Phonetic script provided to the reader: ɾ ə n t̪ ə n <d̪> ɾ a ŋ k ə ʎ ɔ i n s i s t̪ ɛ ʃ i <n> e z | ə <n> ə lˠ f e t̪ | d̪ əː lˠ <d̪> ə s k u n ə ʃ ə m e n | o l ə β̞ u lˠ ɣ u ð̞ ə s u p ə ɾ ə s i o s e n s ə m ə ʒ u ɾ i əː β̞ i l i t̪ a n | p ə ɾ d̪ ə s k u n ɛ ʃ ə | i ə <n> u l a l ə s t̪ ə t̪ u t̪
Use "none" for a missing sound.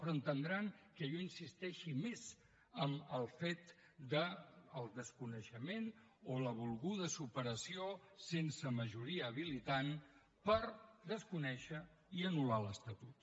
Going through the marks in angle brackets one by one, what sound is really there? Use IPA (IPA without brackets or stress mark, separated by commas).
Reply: d̪, m, m, d̪, n